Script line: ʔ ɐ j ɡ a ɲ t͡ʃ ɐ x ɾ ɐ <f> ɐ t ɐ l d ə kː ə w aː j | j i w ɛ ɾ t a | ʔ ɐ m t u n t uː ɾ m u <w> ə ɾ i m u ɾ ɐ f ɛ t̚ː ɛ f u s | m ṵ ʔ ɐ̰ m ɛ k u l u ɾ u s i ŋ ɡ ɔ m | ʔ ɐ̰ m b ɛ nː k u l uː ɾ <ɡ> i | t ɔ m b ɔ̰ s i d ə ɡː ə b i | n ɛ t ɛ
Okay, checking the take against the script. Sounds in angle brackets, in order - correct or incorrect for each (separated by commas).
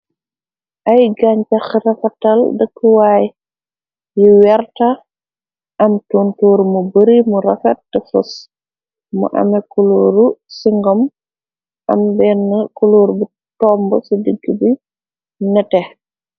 correct, incorrect, incorrect